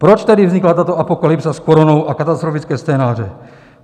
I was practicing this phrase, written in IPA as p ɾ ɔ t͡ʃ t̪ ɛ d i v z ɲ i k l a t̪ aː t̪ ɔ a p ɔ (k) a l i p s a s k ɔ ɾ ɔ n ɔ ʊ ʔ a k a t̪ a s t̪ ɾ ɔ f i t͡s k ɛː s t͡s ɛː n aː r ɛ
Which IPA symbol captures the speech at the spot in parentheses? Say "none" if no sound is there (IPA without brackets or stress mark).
k